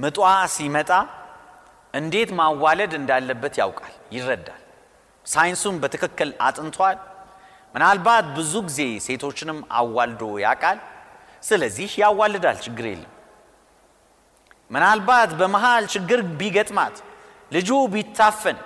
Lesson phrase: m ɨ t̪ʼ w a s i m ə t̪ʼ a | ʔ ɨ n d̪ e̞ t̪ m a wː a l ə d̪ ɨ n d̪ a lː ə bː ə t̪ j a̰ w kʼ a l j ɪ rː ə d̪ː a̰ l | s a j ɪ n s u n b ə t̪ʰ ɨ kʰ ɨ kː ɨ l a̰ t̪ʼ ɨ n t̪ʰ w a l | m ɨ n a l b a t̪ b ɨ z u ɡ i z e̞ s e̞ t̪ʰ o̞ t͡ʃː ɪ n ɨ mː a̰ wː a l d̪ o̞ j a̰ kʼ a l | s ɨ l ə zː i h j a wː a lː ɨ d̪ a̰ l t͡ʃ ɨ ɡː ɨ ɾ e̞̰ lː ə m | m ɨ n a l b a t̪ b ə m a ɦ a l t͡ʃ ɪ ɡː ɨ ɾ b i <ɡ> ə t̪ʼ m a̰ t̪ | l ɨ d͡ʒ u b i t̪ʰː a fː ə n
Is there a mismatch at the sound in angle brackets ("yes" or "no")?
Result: no